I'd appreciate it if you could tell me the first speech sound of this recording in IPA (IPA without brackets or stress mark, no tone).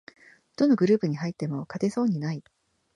d̪̥